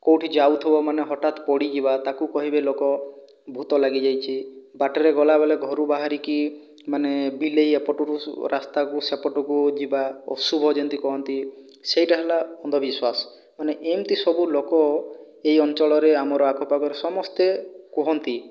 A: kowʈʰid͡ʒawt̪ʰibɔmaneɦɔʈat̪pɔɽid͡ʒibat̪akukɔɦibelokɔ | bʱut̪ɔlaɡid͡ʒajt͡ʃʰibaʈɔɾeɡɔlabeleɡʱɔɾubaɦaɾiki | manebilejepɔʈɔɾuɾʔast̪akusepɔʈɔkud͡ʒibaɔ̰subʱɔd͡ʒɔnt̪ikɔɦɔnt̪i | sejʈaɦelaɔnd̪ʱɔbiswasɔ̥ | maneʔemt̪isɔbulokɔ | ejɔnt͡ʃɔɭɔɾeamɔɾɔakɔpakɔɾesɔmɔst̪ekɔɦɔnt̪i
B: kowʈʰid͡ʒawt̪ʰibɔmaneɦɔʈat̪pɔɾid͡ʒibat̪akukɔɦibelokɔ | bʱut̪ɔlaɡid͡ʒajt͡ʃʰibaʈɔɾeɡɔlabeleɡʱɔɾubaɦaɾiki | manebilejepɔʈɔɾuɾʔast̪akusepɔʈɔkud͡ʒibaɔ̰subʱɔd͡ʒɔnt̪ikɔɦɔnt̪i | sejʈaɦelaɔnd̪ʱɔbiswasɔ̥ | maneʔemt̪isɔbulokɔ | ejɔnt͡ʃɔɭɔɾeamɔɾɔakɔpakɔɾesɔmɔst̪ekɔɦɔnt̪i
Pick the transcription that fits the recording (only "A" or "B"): A